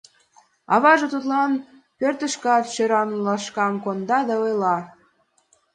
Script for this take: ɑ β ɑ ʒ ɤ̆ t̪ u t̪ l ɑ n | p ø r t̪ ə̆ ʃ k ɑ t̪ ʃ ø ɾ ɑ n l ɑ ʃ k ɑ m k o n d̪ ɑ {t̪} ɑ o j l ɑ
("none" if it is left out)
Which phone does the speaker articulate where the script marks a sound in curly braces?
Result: d̪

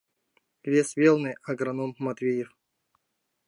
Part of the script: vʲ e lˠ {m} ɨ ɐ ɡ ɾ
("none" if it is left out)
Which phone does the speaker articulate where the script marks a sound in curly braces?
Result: n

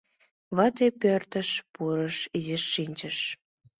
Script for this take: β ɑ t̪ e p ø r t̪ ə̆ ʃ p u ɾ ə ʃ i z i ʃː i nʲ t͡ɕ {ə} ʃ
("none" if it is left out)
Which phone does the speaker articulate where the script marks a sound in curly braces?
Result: ə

